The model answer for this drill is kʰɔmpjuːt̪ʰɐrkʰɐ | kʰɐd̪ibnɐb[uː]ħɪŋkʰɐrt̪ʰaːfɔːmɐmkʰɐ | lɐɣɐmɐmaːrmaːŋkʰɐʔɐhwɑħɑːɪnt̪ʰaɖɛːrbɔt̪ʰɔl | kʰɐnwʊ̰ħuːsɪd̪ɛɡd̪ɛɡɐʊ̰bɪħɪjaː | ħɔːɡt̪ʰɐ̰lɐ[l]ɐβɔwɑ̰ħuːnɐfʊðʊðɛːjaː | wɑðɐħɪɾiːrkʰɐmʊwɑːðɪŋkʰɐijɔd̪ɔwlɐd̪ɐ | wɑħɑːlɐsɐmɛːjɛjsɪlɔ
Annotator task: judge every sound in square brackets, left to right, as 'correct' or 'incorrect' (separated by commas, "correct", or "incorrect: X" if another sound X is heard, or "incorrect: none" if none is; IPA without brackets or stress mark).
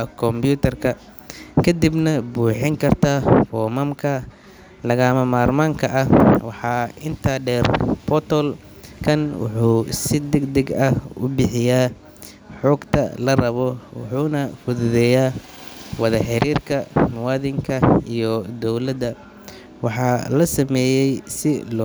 correct, incorrect: r